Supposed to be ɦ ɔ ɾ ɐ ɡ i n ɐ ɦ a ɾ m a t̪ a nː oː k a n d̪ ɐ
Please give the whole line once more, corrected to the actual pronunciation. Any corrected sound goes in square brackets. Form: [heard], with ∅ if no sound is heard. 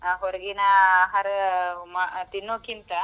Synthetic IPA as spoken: ɦ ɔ ɾ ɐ ɡ i n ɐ ɦ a ɾ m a t̪ [i] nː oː k [i] n [t̪] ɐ